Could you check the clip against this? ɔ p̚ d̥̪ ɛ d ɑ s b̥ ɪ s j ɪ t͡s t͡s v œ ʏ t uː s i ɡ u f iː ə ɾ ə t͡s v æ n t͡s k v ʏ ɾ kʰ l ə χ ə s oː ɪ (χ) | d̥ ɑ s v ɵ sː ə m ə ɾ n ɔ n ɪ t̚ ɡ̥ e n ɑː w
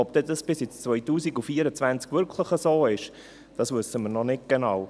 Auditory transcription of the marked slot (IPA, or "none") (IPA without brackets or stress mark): ʃ